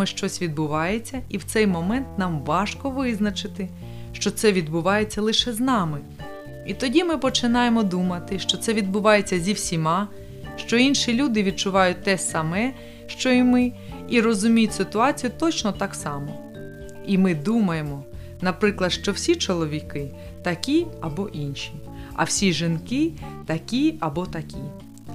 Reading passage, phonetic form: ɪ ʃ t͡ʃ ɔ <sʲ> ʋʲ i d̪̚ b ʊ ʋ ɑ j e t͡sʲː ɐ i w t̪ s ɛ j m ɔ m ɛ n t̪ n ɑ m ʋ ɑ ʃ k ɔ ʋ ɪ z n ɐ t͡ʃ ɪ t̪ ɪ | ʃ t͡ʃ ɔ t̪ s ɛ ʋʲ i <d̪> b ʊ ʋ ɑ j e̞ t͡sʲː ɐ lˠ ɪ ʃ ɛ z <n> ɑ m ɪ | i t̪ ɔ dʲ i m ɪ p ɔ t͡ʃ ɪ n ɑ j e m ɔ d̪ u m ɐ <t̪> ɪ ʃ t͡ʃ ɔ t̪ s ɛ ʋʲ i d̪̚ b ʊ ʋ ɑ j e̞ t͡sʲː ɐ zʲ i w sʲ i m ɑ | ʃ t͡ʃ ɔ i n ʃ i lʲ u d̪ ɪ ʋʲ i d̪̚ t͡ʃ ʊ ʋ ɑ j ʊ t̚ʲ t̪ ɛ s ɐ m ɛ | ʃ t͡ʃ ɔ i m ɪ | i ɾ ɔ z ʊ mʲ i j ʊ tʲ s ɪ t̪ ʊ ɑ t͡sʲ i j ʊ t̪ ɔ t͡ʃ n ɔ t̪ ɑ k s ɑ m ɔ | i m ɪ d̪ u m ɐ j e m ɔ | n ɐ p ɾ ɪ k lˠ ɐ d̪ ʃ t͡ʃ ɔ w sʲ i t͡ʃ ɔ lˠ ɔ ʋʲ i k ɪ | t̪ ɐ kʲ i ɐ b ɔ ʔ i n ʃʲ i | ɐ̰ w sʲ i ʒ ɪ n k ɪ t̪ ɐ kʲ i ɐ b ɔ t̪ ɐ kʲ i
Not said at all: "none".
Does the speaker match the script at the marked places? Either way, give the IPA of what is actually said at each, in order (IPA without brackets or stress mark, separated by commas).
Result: sʲ, d̪, n, t̪